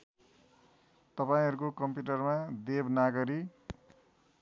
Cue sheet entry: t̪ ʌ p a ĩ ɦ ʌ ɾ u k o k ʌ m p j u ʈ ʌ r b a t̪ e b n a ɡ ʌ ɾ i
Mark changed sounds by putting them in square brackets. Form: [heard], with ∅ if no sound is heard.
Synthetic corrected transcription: t̪ ʌ p a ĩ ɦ ʌ ɾ u k o k ʌ m p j u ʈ ʌ r [m] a [d̪] e b n a ɡ ʌ ɾ i